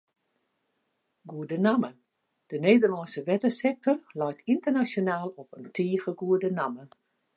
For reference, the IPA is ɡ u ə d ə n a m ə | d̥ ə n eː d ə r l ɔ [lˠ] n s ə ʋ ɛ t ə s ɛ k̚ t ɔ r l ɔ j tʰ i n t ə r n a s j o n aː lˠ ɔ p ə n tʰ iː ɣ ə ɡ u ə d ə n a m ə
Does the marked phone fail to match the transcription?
yes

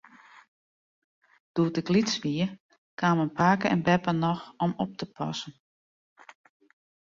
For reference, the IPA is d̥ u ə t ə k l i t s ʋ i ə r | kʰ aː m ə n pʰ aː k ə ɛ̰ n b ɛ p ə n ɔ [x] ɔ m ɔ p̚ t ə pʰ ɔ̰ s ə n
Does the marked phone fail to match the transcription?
no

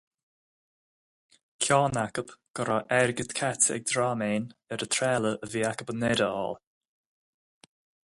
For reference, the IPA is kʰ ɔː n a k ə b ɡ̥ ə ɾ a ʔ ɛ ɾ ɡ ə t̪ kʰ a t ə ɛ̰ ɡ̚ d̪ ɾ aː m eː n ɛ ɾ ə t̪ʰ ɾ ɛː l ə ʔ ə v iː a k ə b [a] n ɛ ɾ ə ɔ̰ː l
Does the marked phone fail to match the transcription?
yes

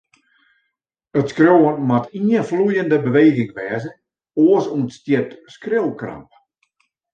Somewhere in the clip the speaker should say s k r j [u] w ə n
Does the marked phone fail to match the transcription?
yes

